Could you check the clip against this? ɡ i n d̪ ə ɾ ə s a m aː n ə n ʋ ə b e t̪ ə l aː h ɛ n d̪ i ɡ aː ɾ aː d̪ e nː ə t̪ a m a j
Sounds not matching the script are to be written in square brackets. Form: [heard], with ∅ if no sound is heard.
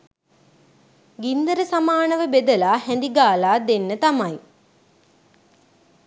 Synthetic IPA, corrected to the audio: ɡ i n d̪ ə ɾ ə s a m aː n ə [∅] ʋ ə b e [d̪] ə l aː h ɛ n d̪ i ɡ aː [l] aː d̪ e nː ə t̪ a m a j